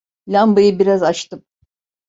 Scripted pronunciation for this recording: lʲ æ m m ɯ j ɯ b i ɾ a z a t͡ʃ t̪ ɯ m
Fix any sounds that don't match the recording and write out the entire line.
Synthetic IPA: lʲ a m b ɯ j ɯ b i ɾ a z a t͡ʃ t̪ ɯ m